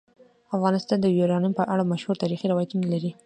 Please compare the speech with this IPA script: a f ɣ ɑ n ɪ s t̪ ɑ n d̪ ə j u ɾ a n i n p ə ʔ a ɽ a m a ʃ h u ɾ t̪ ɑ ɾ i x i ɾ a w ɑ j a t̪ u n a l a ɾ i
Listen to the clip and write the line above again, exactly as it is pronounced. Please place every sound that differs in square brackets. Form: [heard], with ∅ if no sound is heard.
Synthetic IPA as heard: a f ɣ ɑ n ɪ s t̪ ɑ n d̪ ə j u ɾ [ɑ] n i [m] p ə ʔ a ɽ a m a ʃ h u ɾ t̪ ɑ ɾ i x i ɾ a w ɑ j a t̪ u n a l a ɾ i